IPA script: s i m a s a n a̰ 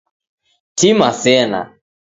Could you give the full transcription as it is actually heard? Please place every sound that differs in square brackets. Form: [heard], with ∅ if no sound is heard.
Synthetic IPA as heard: [t] i m a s [ɛ] n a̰